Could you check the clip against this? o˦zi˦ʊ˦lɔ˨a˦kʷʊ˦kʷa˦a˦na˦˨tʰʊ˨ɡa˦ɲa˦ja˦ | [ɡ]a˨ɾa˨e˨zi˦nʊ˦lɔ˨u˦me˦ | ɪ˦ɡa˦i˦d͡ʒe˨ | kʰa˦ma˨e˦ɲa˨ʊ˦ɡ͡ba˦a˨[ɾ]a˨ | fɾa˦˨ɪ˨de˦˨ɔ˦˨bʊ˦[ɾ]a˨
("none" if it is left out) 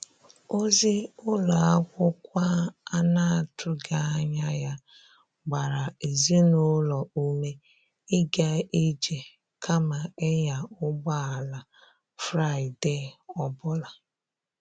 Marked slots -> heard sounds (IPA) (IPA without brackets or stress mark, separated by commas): ɡ͡b, l, l